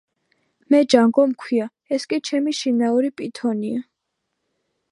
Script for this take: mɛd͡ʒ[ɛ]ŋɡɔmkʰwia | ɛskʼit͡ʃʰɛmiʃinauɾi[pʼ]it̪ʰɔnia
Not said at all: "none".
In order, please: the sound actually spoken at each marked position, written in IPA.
a, pʼ

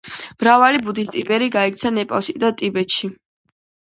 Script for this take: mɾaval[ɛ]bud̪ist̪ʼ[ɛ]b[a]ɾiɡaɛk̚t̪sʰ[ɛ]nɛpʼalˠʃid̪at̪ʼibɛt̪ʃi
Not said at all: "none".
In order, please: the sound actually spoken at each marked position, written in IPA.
i, i, ɛ, a

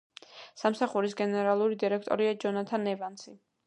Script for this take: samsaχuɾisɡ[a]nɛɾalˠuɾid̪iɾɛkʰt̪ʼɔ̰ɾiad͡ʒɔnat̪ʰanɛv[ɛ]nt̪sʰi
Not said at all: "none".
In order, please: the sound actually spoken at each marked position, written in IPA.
ɛ, a

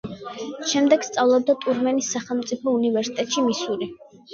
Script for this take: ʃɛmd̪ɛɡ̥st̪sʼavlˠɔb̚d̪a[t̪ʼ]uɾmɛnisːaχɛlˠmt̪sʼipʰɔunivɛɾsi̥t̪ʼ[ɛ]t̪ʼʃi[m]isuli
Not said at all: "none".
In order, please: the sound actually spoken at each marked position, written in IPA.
t̪ʼ, ɛ, m

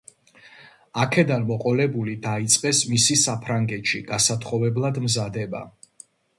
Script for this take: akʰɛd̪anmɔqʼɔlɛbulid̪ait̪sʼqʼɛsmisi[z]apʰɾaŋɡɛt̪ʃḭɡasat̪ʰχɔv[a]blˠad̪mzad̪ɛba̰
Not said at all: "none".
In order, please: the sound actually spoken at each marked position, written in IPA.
s, ɛ

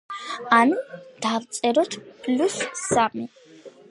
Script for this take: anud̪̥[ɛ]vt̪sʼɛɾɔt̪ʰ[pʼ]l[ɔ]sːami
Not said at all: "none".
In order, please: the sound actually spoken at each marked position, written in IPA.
a, pʼ, u

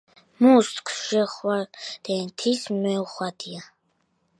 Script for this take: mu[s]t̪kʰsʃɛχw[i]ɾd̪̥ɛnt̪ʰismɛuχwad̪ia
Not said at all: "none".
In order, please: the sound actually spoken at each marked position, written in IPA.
s, a

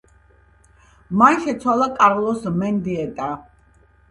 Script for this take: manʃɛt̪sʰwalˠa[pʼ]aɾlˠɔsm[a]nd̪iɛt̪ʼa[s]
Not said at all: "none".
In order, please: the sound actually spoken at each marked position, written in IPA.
kʼ, ɛ, none

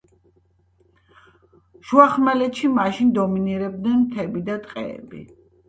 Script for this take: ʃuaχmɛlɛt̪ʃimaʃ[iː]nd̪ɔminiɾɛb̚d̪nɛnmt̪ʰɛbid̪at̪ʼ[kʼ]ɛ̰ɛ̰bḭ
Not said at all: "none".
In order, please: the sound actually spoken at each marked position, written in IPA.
i, qʼ

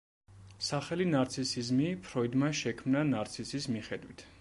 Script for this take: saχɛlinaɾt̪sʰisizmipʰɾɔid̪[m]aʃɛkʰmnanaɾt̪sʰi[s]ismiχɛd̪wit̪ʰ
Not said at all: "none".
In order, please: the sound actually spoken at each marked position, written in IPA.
m, s

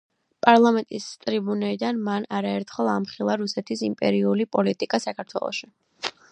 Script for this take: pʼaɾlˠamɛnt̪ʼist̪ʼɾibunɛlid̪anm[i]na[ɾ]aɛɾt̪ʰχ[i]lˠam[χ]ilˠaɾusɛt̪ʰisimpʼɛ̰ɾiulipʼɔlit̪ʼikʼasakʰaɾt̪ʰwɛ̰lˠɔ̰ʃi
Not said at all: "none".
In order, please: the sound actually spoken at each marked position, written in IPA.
a, ɾ, ɛ, χ

